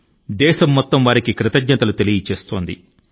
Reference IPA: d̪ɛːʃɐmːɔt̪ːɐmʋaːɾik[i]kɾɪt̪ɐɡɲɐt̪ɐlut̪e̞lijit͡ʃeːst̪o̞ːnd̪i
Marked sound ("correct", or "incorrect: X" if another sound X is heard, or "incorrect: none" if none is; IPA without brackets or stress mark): correct